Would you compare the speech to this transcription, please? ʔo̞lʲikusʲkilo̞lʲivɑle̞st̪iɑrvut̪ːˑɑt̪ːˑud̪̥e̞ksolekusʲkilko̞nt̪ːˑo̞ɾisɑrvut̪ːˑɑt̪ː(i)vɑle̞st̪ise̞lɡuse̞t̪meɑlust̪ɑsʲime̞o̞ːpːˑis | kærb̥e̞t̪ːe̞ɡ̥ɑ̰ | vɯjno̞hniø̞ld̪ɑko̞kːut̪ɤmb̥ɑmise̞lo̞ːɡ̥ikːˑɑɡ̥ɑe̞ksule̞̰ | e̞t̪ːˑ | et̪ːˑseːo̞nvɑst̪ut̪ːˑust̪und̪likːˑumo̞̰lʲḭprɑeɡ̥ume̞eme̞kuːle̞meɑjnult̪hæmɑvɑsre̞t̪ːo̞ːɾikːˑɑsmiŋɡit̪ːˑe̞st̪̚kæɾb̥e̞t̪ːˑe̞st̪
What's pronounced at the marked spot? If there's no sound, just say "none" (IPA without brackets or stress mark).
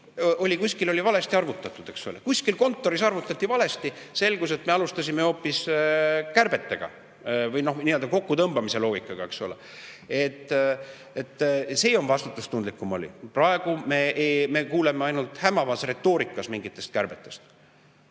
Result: i